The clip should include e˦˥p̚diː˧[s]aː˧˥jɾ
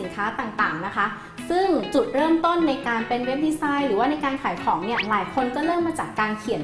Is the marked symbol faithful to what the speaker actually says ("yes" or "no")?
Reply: yes